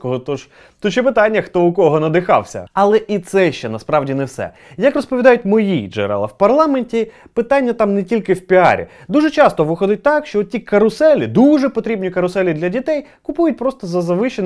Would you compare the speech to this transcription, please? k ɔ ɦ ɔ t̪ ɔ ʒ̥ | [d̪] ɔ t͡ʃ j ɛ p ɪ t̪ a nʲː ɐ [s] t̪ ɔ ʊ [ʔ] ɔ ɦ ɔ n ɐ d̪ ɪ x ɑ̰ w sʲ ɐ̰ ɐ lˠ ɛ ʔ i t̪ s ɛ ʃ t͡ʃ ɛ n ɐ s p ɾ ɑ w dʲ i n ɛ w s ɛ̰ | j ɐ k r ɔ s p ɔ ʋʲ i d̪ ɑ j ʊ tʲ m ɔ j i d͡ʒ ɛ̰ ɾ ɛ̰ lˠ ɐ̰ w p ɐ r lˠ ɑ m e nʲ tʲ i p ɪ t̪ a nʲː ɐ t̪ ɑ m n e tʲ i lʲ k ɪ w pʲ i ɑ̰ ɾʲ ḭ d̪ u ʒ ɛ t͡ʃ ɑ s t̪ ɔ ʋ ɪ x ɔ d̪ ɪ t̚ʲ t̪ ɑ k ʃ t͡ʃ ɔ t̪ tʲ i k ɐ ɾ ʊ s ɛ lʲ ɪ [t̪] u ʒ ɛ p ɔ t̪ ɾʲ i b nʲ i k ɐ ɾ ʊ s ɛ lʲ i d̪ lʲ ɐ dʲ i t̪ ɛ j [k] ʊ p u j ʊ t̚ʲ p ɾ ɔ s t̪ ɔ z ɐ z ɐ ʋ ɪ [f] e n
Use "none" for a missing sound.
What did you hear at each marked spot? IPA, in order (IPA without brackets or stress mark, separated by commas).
t̪, x, k, d̪, k, ʃ